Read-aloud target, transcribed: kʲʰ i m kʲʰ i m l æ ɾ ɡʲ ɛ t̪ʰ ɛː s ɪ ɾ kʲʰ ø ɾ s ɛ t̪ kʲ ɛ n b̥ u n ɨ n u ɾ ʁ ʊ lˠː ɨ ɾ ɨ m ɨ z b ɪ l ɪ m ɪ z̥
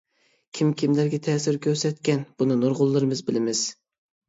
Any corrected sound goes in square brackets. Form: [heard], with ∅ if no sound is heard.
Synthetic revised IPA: kʲʰ i m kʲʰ i m l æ ɾ ɡʲ ɛ t̪ʰ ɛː s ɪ ɾ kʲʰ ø ɾ s ɛ t̪ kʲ ɛ n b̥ u n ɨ n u ɾ ʁ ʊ lˠː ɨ ɾ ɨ m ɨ z b ɪ l ɪ m ɪ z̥